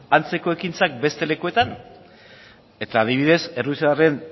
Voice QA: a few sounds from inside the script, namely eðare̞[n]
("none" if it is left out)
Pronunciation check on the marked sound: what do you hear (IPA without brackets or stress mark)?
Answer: n